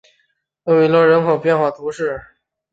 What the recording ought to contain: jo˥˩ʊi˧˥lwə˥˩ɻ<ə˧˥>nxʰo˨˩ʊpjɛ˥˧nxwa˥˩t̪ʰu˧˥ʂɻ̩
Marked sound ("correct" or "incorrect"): correct